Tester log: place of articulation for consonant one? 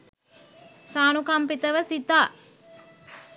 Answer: alveolar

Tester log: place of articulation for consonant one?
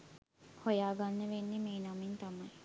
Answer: glottal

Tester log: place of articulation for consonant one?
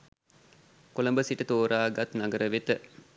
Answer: velar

